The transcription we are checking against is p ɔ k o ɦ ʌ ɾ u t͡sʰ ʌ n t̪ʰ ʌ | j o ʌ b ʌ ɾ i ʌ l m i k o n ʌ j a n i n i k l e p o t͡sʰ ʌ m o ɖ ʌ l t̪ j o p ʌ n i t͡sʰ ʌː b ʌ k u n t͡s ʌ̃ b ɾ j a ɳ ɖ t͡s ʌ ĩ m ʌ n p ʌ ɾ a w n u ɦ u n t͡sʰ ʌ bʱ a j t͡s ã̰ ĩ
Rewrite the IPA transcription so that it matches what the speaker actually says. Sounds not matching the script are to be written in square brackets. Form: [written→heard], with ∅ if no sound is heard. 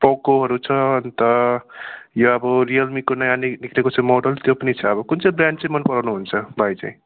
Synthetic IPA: p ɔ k o ɦ ʌ ɾ u t͡sʰ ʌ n [t̪ʰ→t̪] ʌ | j o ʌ b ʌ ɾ i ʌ l m i k o n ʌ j a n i n i k l e [p→k] o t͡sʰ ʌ m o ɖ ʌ l t̪ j o p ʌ n i t͡sʰ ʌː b ʌ k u n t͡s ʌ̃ b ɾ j a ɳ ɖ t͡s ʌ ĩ m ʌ n p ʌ ɾ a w n u ɦ u n t͡sʰ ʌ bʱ a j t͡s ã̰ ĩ